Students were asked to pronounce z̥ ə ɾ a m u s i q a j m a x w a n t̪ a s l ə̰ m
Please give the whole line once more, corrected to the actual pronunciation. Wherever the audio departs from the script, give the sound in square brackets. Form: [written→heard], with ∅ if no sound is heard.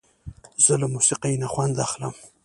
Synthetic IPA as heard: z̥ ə [ɾ→l] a m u s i q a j [m→n] a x w a n [t̪→d̪] a [s→x] l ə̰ m

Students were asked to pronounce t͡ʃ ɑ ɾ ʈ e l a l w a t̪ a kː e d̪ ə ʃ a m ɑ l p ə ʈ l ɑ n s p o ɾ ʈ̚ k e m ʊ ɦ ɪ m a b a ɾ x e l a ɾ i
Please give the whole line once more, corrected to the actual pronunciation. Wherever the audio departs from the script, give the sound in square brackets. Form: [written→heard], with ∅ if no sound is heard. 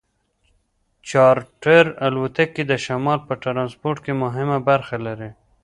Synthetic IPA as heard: t͡ʃ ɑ ɾ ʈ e [l→ɾ] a l w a t̪ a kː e d̪ ə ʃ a m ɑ l p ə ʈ [l→ɾ] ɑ n s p o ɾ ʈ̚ k e m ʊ ɦ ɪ m a b a ɾ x [e→a] l a ɾ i

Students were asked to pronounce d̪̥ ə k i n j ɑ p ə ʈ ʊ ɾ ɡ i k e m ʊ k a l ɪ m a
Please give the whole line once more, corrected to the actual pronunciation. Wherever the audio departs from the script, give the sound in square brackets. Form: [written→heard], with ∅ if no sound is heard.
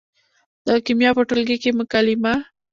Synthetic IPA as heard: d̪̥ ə k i [n→m] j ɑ p ə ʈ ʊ [ɾ→l] ɡ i k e m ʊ k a l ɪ m a

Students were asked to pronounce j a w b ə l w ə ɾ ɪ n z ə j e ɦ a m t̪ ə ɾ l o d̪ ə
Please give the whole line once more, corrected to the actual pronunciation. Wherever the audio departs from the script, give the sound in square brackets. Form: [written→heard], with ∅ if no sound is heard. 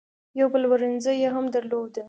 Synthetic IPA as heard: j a w b ə l w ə ɾ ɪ n z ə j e ɦ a m [t̪→d̪] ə ɾ l o d̪ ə

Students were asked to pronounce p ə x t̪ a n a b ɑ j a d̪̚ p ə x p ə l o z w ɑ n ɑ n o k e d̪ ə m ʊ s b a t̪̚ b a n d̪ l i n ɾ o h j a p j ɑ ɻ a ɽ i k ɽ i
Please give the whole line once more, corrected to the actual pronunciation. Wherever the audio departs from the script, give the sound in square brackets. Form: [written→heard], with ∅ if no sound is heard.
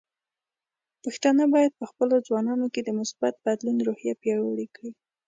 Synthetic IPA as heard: p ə x t̪ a n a b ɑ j a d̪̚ p ə x p ə l o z w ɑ n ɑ n o k e d̪ ə m ʊ s b a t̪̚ b a [n→∅] d̪ l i n ɾ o h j a p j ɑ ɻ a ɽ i k ɽ i

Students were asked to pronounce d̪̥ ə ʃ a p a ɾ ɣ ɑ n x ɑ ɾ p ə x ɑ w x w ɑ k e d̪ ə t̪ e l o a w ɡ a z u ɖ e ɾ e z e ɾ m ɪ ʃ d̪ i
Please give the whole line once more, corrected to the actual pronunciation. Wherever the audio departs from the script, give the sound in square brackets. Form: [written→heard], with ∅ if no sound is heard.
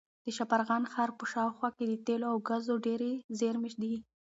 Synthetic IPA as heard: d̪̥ ə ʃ a p a ɾ ɣ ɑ n x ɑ ɾ p ə [x→ʃ] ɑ w x w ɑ k e d̪ ə t̪ e l o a w ɡ a z [u→o] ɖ e ɾ e z e ɾ m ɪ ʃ d̪ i

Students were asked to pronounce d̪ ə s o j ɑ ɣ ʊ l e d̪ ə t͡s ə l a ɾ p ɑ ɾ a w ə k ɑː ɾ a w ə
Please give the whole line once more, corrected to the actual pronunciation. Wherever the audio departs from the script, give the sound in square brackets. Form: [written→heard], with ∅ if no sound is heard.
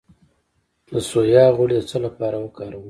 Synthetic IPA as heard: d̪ ə s o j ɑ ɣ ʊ [l→ɽ] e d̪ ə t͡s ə l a [ɾ→∅] p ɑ ɾ a w ə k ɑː ɾ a w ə

